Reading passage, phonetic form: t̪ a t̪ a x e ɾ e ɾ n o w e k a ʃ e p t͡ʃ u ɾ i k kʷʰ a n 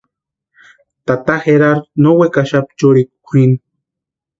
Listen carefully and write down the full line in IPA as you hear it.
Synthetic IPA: t̪ a t̪ a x e ɾ a ɾ n o w e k a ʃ a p t͡ʃ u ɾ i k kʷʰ i n